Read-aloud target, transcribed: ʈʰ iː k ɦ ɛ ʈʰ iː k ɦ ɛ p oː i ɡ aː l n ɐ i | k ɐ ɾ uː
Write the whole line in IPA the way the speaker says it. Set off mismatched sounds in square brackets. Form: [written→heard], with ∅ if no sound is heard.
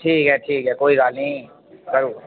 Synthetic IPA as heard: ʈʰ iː k ɦ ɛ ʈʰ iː k ɦ ɛ [p→k] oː i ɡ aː l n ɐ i | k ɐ ɾ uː